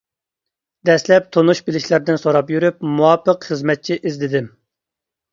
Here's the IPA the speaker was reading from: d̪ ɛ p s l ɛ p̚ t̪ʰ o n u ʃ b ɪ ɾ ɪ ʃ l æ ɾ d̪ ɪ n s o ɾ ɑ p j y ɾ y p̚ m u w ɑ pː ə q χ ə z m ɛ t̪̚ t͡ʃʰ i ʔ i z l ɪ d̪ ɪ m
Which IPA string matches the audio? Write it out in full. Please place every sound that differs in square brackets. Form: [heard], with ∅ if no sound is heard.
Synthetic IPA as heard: d̪ ɛ [∅] s l ɛ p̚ t̪ʰ o n u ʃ b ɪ [l] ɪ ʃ l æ ɾ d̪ ɪ n s o ɾ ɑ p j y ɾ y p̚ m u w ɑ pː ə q χ ə z m ɛ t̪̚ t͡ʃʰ i ʔ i z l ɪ d̪ ɪ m